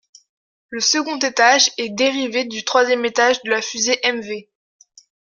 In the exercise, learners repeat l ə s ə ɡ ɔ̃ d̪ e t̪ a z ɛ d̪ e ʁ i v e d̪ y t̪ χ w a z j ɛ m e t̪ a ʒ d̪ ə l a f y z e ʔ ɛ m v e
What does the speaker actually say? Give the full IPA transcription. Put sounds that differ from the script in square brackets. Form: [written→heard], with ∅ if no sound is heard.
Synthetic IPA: l ə s ə ɡ ɔ̃ [d̪→t̪] e t̪ a [z→ʒ] ɛ d̪ e ʁ i v e d̪ y t̪ χ w a z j ɛ m e t̪ a ʒ d̪ ə l a f y z e ʔ ɛ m v e